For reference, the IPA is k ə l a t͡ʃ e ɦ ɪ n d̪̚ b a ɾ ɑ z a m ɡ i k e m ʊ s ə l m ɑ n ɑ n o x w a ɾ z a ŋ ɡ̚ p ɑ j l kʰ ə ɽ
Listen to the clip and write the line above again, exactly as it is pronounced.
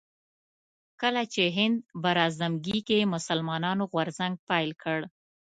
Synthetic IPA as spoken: k ə l a t͡ʃ e ɦ ɪ n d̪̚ b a ɾ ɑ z a m ɡ i k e m ʊ s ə l m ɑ n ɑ n o ɣ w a ɾ z a ŋ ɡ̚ p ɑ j l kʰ ə ɽ